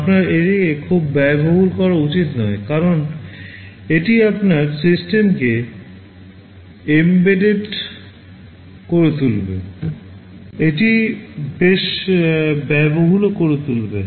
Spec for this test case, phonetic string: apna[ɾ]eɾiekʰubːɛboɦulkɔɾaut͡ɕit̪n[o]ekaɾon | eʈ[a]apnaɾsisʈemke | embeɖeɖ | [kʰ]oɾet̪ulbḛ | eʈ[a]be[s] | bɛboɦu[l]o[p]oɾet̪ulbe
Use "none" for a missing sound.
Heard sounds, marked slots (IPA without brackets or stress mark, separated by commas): ɾ, ɔ, i, k, i, ʃ, l, k